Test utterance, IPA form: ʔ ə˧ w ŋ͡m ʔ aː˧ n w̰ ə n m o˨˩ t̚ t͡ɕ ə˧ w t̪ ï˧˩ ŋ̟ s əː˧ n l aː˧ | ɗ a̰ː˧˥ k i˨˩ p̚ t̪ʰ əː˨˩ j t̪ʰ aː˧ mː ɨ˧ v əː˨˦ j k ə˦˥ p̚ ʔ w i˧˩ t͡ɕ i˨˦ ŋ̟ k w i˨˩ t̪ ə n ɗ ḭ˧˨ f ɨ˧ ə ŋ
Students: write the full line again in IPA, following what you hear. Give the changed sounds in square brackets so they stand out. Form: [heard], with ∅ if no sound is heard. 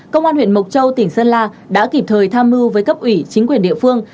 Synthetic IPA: [k] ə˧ w ŋ͡m ʔ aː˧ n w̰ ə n m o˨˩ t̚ t͡ɕ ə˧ w t̪ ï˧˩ ŋ̟ s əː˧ n l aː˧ | ɗ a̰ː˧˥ k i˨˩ p̚ t̪ʰ əː˨˩ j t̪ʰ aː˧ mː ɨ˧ v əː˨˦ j k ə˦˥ p̚ ʔ w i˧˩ t͡ɕ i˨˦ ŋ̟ k w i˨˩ [∅] ə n ɗ ḭ˧˨ f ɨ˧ ə ŋ